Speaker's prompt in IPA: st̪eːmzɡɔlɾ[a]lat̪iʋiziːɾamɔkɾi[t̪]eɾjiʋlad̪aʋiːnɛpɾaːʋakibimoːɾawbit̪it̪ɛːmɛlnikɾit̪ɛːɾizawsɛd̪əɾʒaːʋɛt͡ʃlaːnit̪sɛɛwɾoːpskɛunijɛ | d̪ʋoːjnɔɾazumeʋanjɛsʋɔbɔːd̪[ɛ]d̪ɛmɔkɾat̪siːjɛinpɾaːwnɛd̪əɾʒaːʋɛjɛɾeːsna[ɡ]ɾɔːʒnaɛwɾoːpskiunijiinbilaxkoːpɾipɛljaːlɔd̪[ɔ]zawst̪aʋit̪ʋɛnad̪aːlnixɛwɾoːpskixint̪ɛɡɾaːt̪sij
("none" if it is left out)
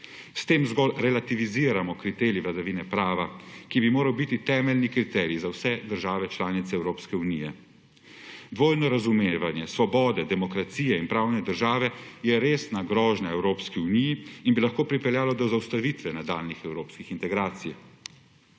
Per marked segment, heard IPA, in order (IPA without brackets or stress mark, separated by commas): ɛ, t̪, ɛ, ɡ, ɔ